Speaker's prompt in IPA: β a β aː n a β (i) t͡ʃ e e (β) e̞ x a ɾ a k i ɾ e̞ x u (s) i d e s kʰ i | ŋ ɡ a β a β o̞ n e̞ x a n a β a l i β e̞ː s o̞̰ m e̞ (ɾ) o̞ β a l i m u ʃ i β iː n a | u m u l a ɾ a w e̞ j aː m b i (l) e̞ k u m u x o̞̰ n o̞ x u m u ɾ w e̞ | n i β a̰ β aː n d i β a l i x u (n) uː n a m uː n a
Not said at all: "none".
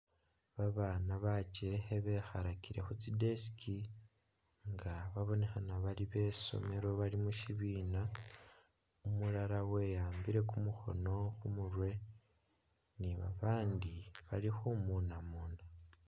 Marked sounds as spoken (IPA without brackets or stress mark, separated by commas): a, β, t͡s, ɾ, ɾ, m